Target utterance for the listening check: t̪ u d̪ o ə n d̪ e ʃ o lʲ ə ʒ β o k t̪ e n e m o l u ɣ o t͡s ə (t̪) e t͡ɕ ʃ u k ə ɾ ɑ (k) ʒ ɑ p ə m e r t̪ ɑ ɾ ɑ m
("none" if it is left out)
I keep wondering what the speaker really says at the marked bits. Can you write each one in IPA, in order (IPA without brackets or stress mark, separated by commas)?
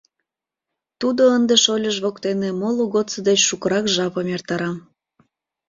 d̪, k